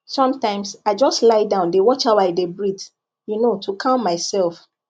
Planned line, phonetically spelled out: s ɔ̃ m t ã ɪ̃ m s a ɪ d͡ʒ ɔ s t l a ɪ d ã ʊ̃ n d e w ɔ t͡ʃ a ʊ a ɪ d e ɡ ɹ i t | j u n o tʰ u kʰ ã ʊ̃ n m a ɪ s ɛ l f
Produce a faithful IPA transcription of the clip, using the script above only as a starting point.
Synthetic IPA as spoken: s ɔ̃ m t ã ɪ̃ m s a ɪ d͡ʒ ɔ s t l a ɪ d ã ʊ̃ n d e w ɔ t͡ʃ a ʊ a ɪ d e b ɹ i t | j u n o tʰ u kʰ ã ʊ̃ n m a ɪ s ɛ l f